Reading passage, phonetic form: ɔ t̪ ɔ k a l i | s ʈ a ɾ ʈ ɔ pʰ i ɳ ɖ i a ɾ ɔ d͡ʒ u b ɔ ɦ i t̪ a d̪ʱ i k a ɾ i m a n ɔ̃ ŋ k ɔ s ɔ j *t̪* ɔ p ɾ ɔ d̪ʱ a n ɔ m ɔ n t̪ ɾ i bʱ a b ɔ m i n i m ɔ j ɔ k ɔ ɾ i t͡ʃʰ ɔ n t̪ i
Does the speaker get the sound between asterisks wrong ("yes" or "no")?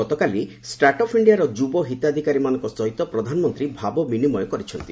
no